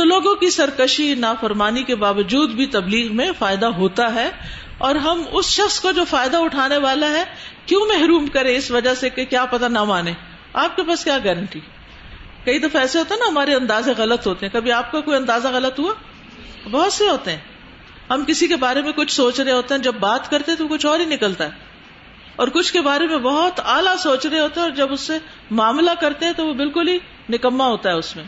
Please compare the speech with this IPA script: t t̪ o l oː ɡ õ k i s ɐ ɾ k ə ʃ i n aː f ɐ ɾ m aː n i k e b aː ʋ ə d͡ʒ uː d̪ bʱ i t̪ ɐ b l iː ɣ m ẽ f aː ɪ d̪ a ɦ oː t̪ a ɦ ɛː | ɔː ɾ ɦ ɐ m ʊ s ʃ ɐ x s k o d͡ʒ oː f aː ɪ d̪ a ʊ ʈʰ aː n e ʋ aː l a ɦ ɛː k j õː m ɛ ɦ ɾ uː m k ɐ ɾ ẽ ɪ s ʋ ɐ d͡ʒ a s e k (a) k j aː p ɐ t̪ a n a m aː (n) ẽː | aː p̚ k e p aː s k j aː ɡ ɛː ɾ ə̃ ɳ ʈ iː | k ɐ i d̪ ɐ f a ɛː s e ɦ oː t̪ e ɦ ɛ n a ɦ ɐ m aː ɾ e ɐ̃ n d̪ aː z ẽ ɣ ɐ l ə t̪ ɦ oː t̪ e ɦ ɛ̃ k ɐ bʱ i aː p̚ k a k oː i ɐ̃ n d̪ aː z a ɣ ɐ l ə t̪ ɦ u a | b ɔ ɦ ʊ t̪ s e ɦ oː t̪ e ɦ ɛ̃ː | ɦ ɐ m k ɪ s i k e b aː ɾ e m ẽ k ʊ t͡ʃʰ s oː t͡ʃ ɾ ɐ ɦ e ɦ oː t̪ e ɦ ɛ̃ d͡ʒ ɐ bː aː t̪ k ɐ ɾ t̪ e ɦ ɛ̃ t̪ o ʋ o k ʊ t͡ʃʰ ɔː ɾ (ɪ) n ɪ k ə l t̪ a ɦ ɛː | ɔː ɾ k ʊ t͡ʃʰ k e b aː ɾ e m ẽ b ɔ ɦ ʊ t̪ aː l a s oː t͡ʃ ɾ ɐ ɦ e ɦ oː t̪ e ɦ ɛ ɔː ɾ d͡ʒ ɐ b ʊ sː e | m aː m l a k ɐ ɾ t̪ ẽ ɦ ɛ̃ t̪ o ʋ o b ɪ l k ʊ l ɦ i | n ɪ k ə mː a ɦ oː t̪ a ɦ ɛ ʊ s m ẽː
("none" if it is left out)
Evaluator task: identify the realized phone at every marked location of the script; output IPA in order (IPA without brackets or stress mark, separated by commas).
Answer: e, n, i